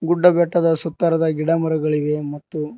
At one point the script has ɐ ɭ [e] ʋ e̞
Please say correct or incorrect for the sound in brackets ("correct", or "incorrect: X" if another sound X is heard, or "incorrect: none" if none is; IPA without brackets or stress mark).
incorrect: i